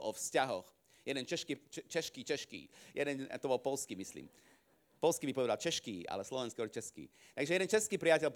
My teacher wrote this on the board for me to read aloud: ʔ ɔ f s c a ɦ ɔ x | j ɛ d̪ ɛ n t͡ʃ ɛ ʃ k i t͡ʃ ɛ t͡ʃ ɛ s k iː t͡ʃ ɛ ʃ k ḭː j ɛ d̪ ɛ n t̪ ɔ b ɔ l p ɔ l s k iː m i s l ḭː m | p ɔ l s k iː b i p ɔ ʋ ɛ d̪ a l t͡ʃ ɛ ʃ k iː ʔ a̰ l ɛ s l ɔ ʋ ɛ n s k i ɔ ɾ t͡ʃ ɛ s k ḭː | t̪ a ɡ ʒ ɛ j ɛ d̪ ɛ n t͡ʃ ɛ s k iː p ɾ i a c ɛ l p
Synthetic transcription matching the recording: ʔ ɔ f s c a ɦ ɔ x | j ɛ d̪ ɛ n t͡ʃ ɛ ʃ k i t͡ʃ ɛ t͡ʃ ɛ ʃ k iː t͡ʃ ɛ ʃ k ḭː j ɛ d̪ ɛ n t̪ ɔ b ɔ l p ɔ l s k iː m i s l ḭː m | p ɔ l s k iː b i p ɔ ʋ ɛ d̪ a l t͡ʃ ɛ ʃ k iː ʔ a̰ l ɛ s l ɔ ʋ ɛ n s k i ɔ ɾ t͡ʃ ɛ s k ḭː | t̪ a ɡ ʒ ɛ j ɛ d̪ ɛ n t͡ʃ ɛ s k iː p ɾ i a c ɛ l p